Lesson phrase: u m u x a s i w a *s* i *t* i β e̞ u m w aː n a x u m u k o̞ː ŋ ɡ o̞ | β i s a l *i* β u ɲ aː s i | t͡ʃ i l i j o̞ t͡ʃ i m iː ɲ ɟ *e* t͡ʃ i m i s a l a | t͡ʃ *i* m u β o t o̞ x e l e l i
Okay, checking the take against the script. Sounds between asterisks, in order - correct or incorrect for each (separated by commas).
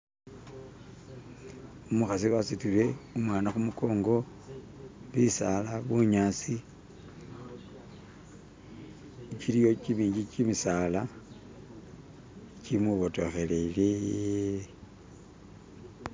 correct, correct, incorrect, incorrect, correct